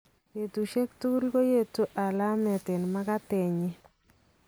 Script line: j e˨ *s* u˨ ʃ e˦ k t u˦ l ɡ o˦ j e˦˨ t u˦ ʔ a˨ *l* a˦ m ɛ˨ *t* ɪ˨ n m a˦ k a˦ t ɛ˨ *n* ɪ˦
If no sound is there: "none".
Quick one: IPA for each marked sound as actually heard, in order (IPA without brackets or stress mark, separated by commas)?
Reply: t, l, t, ɲ